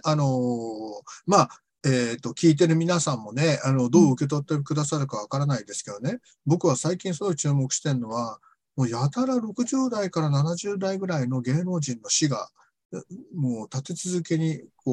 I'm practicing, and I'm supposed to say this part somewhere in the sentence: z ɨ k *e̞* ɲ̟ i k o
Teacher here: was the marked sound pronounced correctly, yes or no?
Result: yes